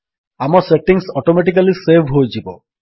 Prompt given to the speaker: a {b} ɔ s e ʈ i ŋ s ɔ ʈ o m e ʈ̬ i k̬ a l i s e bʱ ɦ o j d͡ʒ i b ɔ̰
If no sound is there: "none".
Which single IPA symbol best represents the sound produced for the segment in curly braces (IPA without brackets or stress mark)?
m